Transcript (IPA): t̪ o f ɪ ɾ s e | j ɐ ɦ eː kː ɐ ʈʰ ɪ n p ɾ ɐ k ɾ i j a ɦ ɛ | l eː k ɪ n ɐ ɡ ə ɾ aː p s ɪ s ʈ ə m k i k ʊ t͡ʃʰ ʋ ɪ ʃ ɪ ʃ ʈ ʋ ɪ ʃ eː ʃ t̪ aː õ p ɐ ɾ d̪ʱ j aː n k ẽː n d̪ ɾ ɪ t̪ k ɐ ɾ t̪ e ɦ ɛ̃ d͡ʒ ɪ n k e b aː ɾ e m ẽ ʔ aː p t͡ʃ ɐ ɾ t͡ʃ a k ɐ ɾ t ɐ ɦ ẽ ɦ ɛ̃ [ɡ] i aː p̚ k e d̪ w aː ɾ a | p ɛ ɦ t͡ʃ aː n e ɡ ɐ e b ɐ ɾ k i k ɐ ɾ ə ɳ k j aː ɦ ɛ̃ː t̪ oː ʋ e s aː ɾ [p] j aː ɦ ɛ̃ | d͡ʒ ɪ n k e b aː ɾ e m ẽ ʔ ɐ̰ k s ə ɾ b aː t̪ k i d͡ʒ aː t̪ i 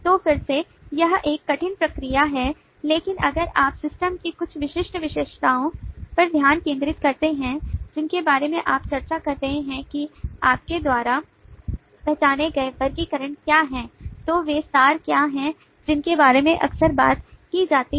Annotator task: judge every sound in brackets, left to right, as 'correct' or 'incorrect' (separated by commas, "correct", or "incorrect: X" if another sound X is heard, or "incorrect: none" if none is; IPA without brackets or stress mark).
incorrect: k, incorrect: k